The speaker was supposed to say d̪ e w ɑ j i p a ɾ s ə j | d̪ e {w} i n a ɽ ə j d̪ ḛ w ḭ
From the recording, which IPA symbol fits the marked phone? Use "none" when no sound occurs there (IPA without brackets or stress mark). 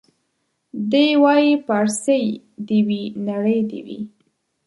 w